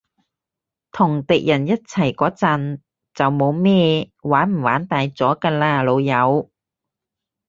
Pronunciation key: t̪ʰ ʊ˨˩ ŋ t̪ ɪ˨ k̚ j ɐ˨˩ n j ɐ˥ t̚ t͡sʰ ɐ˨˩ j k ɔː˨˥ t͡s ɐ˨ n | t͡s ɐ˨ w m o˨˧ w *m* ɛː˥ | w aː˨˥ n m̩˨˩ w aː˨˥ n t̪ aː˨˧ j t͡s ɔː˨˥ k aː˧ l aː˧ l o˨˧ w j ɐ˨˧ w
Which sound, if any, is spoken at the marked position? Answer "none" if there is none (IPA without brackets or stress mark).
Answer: m